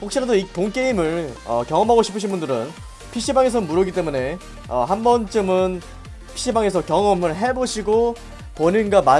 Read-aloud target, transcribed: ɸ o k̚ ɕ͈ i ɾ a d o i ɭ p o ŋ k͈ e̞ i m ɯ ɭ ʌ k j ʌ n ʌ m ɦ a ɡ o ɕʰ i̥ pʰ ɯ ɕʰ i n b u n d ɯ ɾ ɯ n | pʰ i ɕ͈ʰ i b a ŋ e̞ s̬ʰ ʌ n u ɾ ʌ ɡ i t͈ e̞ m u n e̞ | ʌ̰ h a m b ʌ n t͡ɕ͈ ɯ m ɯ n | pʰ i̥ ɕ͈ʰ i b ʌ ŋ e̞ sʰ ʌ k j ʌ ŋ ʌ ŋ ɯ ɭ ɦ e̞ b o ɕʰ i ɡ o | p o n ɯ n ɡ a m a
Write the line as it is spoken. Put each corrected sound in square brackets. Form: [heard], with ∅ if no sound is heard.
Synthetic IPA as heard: ɸ o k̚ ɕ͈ i ɾ a d o i [∅] p o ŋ k͈ e̞ i m ɯ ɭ ʌ k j ʌ [ŋ] ʌ m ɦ a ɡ o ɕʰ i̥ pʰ ɯ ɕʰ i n b u n d ɯ ɾ ɯ n | pʰ i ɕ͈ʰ i b a ŋ e̞ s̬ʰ ʌ [m] u ɾ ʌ ɡ i t͈ e̞ m u n e̞ | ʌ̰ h a m b ʌ n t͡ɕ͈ ɯ m ɯ n | pʰ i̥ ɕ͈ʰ i b [a] ŋ e̞ sʰ ʌ k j ʌ ŋ ʌ [m] ɯ ɭ ɦ e̞ b o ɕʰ i ɡ o | p o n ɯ n ɡ a m a